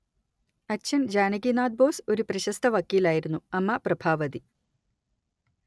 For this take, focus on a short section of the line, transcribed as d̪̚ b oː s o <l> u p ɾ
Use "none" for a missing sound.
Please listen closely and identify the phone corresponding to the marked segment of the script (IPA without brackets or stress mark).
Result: ɾ